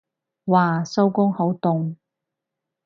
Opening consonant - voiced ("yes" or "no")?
yes